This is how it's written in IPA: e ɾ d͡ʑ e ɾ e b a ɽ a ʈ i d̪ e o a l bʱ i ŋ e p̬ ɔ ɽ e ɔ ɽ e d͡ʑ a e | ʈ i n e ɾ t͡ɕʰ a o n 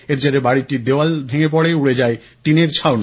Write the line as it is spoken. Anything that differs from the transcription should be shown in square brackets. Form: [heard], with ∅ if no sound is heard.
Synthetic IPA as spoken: e ɾ d͡ʑ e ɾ e b a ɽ [i] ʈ i d̪ e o a l bʱ [e] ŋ e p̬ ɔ ɽ e [u] ɽ e d͡ʑ a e | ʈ i n e ɾ t͡ɕʰ a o n

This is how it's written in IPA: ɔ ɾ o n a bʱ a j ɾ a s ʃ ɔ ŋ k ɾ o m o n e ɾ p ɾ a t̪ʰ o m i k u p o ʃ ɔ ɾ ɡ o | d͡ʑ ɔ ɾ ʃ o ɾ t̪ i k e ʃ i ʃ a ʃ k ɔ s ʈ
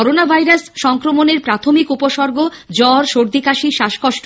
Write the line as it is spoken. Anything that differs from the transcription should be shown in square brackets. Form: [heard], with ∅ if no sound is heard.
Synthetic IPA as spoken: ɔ ɾ o n a bʱ a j ɾ a s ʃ ɔ ŋ k ɾ o m o n e ɾ p ɾ a t̪ʰ o m i k u p o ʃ ɔ ɾ ɡ o | d͡ʑ ɔ ɾ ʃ o ɾ [d̪] i k [a] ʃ i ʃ a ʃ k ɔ [ʃ] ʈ

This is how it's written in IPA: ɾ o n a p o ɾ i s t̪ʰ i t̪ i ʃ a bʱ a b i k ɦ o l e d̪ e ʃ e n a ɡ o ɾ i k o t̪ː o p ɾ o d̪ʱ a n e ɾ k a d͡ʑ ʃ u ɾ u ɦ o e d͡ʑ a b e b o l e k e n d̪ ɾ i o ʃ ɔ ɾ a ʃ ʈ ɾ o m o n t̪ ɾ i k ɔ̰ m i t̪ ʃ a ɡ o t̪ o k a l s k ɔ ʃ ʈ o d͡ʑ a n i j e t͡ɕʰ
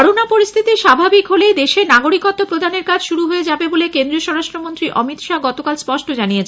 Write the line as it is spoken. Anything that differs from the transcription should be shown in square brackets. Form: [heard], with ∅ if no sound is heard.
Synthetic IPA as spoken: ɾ o n a p o ɾ i s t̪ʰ i t̪ i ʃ a bʱ a b i k ɦ o l e d̪ e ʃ e n a ɡ o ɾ i k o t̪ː o p ɾ o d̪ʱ a n e ɾ k a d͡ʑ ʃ u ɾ u ɦ o e d͡ʑ a b e b o l e k e n d̪ ɾ i o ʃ ɔ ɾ a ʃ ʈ ɾ o m o n t̪ ɾ i [ʔ] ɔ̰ m i t̪ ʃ a ɡ [ɔ] t̪ o k a l s [p] ɔ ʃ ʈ o d͡ʑ a n i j e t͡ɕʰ

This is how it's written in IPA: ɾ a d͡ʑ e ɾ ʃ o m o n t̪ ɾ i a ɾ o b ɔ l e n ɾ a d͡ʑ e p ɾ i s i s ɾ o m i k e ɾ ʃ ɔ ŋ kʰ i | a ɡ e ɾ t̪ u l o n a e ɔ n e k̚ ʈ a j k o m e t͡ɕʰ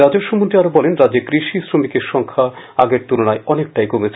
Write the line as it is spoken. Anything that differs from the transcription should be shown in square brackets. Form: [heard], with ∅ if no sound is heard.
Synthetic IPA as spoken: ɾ a d͡ʑ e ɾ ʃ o m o n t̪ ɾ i a ɾ o b ɔ l e n ɾ a d͡ʑ e [k] ɾ i [ʃ] i s ɾ o m i k e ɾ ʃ ɔ ŋ kʰ [a] | a ɡ e ɾ t̪ u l o n a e ɔ n e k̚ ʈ a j k o m e t͡ɕʰ

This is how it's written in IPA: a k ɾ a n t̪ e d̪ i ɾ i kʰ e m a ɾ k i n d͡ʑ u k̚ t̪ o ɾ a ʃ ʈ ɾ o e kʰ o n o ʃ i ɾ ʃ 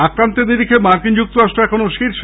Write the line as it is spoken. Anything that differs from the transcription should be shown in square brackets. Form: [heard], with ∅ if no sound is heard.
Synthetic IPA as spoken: a k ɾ a n t̪ e d̪ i ɾ i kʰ e m a ɾ k i n d͡ʑ u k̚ t̪ o ɾ a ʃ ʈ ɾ o [ɛ] kʰ o n o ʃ i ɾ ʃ

